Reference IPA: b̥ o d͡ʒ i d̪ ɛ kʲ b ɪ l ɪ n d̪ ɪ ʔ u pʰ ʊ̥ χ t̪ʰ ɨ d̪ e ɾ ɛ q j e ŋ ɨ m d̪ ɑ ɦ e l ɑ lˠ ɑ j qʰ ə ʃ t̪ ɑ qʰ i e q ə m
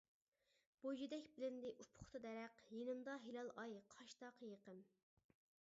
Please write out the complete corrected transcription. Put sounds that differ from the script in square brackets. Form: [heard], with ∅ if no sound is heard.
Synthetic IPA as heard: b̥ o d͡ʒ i d̪ ɛ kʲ b ɪ l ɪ n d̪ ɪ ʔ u pʰ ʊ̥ χ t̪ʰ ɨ d̪ [ɛ] ɾ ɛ q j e [n] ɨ m d̪ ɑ ɦ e l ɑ lˠ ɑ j qʰ [ɑ] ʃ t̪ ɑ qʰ [j] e q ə m